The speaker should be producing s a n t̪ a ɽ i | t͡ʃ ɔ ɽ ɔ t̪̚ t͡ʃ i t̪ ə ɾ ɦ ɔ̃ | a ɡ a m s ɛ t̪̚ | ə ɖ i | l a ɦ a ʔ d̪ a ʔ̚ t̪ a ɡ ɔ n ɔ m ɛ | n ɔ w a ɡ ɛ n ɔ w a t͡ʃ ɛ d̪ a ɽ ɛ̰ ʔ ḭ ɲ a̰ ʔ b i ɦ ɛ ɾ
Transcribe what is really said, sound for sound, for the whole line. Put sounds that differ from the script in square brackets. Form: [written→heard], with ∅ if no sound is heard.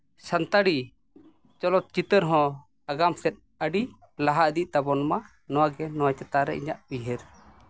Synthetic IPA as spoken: s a n t̪ a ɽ i | t͡ʃ ɔ [ɽ→l] ɔ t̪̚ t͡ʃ i t̪ ə ɾ ɦ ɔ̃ | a ɡ a m s ɛ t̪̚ | ə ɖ i | l a ɦ a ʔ d̪ [a→i] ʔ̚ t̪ a [ɡ→b] ɔ n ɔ m [ɛ→a] | n ɔ w a ɡ ɛ n ɔ w a t͡ʃ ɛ [d̪→t̪] a [ɽ→ɾ] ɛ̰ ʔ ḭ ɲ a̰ ʔ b i ɦ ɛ ɾ

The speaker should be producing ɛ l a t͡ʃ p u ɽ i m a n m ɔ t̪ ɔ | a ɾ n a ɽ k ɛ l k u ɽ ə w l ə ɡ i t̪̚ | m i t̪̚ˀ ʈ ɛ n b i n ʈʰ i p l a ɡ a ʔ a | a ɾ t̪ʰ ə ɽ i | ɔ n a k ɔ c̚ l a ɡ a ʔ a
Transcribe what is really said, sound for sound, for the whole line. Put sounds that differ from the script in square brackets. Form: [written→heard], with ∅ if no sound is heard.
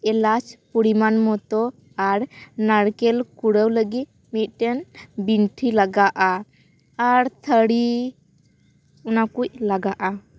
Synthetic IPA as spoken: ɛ l a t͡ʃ p u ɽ i m a n m ɔ t̪ ɔ | a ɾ n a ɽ k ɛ l k u ɽ ə w l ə ɡ i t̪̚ | m i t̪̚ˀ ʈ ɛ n b i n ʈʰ i [p→∅] l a ɡ a ʔ a | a ɾ t̪ʰ ə ɽ i | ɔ n a k [ɔ→u] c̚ l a ɡ a ʔ a

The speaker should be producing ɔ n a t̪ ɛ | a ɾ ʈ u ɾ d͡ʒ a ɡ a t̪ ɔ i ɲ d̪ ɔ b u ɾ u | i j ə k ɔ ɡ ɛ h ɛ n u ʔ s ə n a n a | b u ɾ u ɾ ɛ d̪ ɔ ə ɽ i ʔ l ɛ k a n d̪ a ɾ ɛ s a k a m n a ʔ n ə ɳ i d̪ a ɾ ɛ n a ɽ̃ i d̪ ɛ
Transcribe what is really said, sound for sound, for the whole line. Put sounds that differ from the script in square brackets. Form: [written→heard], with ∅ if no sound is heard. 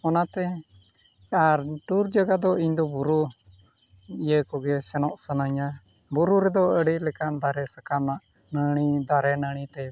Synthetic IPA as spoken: ɔ n a t̪ ɛ | a ɾ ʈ u ɾ d͡ʒ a ɡ a [t̪→d̪] ɔ i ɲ d̪ ɔ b u ɾ u | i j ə k ɔ ɡ ɛ [h→s] ɛ n [u→ɔ] ʔ s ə n a [n→ɲ] a | b u ɾ u ɾ ɛ d̪ ɔ ə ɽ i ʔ l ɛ k a n d̪ a ɾ ɛ s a k a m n a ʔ n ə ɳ i d̪ a ɾ ɛ n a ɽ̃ i [d̪→t̪] ɛ

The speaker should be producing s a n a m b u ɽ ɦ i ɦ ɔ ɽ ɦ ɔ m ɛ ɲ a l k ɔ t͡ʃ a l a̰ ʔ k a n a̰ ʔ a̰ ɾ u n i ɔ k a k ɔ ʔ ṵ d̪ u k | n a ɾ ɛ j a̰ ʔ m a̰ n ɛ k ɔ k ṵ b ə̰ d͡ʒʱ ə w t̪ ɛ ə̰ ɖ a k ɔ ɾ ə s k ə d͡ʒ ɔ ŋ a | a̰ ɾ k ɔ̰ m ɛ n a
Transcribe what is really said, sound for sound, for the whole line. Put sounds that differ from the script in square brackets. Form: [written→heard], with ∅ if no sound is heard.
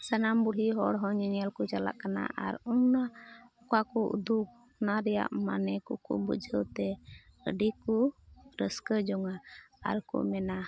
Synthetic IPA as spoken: s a n a m b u ɽ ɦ i ɦ ɔ ɽ ɦ ɔ [m→ɲ] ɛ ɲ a l k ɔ t͡ʃ a l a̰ ʔ k a n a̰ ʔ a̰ ɾ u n [i→a] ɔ k a k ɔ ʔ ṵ d̪ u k | n a ɾ ɛ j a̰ ʔ m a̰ n ɛ k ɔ k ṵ b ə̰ d͡ʒʱ ə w t̪ ɛ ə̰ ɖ [a→i] k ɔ ɾ ə s k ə d͡ʒ ɔ ŋ a | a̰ ɾ k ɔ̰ m ɛ n a

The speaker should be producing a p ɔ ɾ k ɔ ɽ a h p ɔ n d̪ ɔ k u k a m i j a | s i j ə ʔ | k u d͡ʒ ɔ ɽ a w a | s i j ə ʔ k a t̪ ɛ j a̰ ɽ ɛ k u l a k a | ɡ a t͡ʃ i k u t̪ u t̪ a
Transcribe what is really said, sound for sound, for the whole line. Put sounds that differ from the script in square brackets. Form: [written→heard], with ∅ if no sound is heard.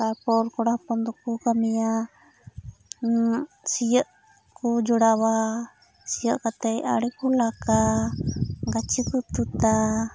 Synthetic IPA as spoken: a p ɔ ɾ k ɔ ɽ a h p ɔ n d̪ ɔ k u k a m i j a | s i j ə ʔ | k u d͡ʒ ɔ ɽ a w a | s i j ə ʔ k a t̪ ɛ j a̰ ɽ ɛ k u l a k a | ɡ a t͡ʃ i k u t̪ u t̪ a

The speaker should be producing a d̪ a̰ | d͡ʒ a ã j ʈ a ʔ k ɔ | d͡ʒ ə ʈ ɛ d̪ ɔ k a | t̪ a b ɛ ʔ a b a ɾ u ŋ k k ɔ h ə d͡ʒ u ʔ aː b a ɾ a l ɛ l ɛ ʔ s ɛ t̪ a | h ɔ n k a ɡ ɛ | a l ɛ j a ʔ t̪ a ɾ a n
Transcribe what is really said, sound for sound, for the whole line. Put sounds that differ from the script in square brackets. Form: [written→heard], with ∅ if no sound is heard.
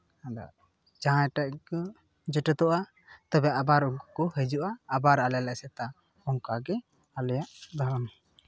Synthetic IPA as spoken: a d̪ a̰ | d͡ʒ a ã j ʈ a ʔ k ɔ | d͡ʒ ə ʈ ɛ [d̪→t̪] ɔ [k→ʔ] a | t̪ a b ɛ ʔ a b a ɾ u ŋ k k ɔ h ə d͡ʒ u ʔ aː b a ɾ a l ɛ l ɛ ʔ s ɛ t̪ a | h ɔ [n→ŋ] k a ɡ ɛ | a l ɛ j a ʔ [t̪→d̪] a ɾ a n

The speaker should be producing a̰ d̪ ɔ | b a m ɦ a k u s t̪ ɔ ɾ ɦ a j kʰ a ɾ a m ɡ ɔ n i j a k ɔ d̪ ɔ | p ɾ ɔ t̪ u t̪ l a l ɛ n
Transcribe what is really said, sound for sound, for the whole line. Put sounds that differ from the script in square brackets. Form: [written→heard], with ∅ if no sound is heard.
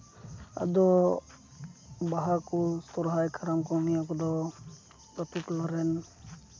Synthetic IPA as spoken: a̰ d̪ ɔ | b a [m→∅] ɦ a k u s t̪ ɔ ɾ ɦ a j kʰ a ɾ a m [ɡ→k] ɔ n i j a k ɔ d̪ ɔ | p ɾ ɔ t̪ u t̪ l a [l→ɾ] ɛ n

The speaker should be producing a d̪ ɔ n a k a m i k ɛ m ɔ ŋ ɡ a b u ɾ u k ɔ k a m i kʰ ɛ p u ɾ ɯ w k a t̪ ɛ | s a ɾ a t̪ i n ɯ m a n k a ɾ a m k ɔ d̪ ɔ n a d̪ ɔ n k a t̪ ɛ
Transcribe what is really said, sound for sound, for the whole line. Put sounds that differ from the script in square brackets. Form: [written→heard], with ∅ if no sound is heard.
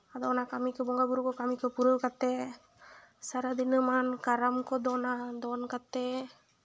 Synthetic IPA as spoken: a d̪ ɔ n a k a m i k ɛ [m→b] ɔ ŋ ɡ a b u ɾ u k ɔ k a m i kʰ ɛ p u ɾ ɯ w k a t̪ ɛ | s a ɾ a [t̪→d̪] i n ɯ m a n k a ɾ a m k ɔ d̪ ɔ n a d̪ ɔ n k a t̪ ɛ

